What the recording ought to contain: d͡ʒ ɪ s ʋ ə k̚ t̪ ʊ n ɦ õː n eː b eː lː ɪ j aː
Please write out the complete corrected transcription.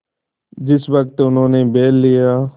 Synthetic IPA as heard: d͡ʒ ɪ s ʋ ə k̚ t̪ ʊ n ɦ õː n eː b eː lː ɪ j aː